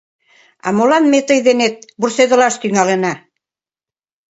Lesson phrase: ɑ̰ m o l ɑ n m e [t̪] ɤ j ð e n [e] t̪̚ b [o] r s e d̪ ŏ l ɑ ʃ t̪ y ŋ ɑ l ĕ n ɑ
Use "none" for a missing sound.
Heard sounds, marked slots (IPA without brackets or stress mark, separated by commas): t̪, e, u